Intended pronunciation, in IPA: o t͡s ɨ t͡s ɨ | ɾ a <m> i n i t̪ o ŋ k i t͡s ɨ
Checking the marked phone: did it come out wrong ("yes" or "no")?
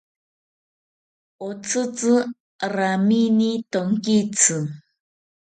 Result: no